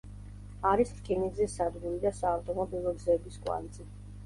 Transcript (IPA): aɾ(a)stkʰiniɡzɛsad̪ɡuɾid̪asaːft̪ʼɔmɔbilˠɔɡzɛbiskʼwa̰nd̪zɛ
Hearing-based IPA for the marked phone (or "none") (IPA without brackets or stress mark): i